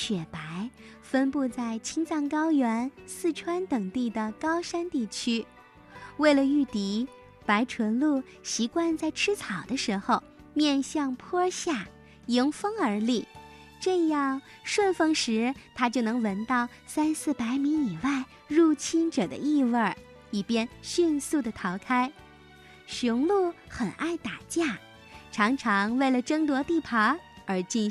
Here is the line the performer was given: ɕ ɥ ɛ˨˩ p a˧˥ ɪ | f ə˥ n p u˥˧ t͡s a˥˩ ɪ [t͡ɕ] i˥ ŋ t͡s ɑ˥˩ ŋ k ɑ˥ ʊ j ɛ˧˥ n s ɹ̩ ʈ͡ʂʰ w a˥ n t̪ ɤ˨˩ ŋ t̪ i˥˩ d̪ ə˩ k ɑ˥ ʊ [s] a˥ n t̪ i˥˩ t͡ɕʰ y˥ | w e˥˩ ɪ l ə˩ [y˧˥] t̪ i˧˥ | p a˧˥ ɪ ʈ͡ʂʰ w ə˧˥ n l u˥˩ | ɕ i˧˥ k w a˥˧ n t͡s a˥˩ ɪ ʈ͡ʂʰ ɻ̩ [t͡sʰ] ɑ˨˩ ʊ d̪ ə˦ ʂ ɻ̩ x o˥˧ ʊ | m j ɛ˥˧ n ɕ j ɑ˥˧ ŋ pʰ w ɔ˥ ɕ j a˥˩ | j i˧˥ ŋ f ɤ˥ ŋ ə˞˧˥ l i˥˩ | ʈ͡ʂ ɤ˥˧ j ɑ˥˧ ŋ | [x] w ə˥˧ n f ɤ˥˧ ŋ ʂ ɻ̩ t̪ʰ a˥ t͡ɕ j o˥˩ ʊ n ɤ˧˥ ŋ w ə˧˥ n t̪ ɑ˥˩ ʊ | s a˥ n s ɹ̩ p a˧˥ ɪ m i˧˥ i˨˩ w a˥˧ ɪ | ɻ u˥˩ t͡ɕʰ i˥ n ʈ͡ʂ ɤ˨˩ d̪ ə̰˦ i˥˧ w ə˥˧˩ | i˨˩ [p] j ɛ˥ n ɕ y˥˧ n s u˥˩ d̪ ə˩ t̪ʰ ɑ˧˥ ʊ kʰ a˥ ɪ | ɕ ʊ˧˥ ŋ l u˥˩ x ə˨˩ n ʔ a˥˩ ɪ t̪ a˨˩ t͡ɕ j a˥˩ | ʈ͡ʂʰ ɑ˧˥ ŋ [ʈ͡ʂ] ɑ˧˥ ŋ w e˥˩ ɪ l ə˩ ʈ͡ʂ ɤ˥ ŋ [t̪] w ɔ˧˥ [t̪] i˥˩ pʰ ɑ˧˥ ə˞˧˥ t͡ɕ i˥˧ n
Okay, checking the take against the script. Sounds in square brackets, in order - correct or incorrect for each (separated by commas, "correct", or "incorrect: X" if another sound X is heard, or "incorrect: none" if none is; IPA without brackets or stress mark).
incorrect: t͡ɕʰ, incorrect: ʂ, incorrect: y˥˩, correct, incorrect: ʂ, correct, incorrect: ʈ͡ʂʰ, correct, correct